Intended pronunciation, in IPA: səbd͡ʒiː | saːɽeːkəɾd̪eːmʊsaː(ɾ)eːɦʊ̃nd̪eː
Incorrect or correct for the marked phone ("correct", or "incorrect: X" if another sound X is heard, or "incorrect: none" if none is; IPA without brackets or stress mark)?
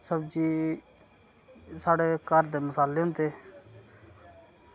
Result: incorrect: l